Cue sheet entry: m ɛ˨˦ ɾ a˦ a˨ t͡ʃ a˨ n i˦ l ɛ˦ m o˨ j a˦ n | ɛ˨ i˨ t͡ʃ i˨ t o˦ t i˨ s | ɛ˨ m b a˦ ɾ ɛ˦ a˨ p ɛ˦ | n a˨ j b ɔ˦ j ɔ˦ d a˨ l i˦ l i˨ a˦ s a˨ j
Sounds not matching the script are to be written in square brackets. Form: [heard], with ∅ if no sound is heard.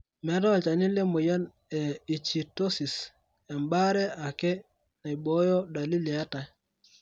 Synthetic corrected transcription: m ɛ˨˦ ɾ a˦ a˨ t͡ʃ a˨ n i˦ l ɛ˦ m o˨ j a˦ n | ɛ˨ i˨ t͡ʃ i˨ t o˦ [s] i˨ s | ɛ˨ m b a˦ ɾ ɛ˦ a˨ [k] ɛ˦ | n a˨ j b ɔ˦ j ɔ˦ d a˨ l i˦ l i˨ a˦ [t] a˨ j